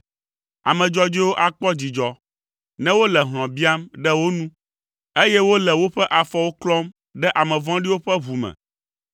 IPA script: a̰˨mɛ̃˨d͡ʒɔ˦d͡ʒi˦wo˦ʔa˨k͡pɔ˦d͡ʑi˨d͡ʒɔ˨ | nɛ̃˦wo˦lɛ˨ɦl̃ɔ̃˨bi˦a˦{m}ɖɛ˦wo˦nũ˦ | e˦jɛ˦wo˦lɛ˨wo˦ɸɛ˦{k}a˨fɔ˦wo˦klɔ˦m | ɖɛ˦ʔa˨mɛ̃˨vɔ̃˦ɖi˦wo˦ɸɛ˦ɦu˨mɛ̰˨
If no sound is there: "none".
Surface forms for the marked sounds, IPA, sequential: m, ʔ

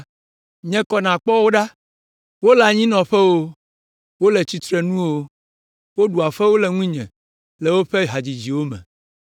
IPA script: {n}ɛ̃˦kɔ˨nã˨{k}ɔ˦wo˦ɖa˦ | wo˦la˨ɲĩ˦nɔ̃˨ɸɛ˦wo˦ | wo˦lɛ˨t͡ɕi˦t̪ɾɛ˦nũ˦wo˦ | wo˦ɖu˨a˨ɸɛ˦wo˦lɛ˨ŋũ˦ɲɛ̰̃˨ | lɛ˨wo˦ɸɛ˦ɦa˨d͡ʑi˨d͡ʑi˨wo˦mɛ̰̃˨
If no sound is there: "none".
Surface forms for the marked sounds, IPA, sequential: ɲ, k͡p

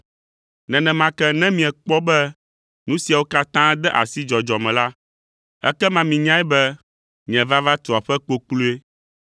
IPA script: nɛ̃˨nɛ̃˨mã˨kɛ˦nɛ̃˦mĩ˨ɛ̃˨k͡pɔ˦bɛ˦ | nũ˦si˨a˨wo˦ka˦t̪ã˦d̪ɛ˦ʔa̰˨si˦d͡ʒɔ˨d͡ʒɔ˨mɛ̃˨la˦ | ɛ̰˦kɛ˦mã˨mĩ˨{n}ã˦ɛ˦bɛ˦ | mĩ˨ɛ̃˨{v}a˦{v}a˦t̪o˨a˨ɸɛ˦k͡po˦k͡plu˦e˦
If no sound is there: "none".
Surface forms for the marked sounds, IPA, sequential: ɲ, v, v

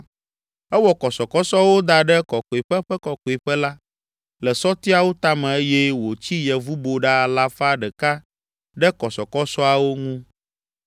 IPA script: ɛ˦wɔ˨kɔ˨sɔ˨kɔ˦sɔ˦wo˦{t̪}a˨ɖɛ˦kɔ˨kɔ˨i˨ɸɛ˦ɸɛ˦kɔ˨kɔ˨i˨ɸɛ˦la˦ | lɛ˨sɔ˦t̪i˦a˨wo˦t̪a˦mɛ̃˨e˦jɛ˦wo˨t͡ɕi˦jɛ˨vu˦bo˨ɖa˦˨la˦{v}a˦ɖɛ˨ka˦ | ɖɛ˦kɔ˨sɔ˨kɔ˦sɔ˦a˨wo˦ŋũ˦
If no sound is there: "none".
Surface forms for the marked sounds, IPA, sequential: d̪, f

